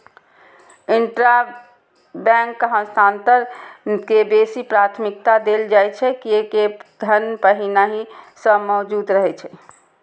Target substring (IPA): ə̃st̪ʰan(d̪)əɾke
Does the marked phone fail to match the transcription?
yes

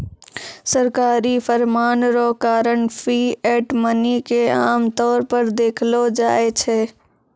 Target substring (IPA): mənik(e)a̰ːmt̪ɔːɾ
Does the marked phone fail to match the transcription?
no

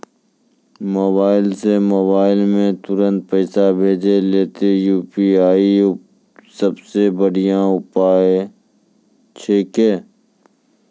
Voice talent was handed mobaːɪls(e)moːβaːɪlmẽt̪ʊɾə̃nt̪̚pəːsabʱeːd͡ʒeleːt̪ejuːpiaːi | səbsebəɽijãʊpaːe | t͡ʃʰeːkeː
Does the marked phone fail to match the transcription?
no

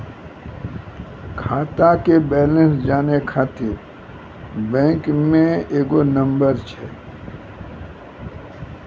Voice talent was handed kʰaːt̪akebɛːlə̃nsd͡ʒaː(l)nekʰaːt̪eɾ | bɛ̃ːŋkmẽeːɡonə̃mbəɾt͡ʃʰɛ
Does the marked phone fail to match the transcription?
yes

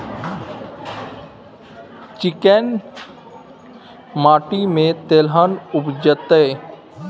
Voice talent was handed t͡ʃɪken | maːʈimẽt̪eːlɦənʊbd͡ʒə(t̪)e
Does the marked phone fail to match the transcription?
no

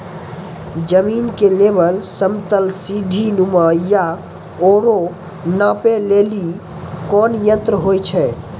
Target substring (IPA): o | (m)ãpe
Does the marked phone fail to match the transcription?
yes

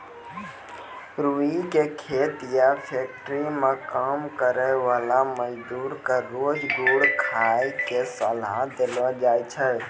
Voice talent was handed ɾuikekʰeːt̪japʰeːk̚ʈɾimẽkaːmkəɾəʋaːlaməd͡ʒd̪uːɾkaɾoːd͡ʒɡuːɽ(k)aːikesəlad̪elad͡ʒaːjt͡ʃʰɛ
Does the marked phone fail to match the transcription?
yes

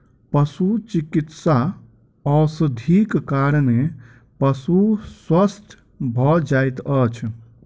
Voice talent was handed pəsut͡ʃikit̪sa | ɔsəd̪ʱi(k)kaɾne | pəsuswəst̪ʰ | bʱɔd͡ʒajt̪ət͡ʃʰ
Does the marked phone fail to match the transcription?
no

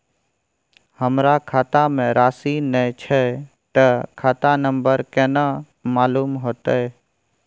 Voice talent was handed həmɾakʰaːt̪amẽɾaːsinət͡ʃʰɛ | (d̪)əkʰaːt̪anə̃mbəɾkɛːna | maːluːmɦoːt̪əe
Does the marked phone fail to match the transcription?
yes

